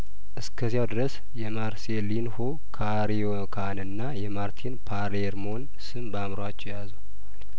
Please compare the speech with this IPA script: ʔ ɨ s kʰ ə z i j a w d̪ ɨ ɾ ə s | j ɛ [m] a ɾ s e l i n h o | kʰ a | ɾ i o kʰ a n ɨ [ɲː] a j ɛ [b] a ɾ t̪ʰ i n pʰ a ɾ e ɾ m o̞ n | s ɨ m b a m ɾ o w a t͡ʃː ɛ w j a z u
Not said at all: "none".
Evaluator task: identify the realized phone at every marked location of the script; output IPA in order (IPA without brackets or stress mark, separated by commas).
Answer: m, nː, m